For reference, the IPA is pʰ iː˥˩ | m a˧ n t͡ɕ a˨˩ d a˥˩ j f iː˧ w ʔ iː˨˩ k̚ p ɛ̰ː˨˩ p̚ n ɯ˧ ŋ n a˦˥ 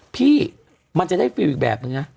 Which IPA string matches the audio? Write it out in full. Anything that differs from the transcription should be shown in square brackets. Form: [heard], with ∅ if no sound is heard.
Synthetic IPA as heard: pʰ iː˥˩ | m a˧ n t͡ɕ a˨˩ d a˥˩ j f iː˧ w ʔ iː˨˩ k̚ [b] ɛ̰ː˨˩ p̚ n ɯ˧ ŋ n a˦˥